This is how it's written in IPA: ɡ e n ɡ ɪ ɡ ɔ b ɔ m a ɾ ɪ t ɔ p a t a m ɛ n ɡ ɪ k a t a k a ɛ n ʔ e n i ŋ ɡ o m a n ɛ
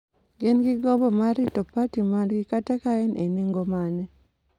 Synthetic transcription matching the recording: ɡ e n ɡ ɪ ɡ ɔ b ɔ m a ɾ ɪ t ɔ p a t i m a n ɡ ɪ k a t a k a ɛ n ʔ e n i ŋ ɡ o m a n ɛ